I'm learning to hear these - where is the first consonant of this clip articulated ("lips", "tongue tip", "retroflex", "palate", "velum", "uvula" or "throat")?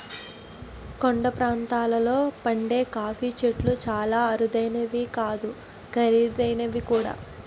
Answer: velum